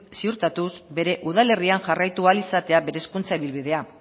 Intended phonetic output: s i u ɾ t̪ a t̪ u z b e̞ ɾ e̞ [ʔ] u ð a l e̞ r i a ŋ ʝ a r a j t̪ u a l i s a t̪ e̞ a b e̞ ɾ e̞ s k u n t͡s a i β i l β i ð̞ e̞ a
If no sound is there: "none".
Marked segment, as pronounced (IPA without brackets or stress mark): ʔ